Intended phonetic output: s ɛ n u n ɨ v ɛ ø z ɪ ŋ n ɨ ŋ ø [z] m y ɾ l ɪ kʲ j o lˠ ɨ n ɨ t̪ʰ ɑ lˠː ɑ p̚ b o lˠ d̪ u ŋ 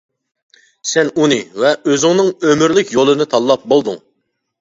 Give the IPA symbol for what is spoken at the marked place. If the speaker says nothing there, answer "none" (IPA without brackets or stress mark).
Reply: none